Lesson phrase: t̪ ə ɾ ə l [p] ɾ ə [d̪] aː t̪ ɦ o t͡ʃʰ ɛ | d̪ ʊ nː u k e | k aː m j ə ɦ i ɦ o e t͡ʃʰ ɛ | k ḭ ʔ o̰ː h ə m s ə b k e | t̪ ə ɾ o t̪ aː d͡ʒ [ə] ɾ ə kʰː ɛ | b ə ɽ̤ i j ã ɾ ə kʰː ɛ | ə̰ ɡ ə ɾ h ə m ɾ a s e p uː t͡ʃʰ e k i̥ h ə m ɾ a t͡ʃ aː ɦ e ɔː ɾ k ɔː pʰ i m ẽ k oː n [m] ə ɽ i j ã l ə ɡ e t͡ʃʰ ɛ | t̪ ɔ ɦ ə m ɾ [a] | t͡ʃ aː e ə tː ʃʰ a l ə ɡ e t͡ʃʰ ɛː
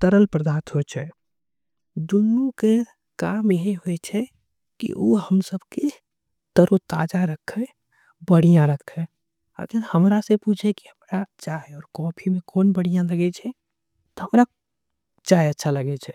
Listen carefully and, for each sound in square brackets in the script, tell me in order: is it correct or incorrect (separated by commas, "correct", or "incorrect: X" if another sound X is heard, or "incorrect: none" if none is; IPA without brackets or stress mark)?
correct, correct, incorrect: a, incorrect: b, correct